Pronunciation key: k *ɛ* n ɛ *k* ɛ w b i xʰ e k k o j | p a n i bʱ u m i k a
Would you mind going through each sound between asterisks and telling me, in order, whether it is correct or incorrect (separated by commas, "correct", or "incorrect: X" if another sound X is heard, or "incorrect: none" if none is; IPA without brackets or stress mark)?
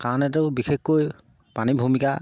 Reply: incorrect: a, incorrect: t